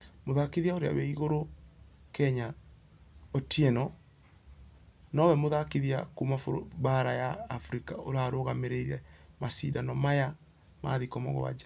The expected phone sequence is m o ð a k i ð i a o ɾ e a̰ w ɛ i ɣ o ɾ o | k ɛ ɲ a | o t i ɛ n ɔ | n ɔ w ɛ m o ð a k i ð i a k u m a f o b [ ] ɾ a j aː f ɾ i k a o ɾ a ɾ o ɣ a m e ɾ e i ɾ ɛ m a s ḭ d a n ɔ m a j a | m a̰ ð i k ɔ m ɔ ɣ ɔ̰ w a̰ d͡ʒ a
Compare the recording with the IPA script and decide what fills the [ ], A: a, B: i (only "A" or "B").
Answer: A